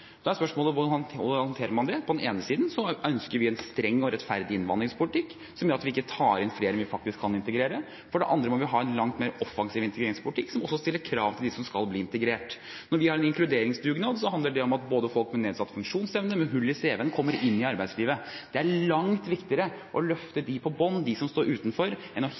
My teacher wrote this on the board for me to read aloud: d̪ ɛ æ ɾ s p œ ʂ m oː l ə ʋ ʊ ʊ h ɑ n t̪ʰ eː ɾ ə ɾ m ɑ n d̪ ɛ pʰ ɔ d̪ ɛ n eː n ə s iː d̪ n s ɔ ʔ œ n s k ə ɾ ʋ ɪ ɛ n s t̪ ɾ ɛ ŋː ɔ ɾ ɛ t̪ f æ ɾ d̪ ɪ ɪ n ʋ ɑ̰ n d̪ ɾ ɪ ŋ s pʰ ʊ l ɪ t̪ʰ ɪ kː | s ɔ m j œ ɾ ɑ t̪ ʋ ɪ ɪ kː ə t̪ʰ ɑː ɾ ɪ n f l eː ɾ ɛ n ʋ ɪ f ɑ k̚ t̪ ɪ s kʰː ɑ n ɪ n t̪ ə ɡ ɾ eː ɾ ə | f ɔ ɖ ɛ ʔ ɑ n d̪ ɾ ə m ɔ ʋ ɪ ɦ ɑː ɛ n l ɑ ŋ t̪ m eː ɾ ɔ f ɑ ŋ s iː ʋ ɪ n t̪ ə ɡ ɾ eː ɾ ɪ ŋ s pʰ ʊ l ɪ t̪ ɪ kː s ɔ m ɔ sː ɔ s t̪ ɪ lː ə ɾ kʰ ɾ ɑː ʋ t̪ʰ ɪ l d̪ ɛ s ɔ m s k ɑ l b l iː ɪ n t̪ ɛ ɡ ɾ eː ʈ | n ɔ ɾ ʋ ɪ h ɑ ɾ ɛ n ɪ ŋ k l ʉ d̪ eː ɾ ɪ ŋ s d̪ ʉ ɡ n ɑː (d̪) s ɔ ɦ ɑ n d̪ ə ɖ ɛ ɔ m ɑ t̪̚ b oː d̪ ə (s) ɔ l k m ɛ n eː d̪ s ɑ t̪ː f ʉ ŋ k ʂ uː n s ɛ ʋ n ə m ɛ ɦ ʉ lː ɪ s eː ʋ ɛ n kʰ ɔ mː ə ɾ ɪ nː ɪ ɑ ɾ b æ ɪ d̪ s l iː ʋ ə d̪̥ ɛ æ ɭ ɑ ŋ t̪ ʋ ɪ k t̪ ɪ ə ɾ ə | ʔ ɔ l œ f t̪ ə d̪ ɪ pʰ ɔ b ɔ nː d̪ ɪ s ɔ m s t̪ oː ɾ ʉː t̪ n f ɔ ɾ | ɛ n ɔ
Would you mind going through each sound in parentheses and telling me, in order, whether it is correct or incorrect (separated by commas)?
correct, incorrect